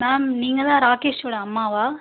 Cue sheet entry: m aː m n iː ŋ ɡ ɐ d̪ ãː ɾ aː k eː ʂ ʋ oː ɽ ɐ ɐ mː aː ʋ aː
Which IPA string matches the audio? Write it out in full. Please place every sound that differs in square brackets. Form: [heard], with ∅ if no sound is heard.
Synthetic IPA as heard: m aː m n iː ŋ ɡ ɐ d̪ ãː ɾ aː k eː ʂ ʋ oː ɽ ɐ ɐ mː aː ʋ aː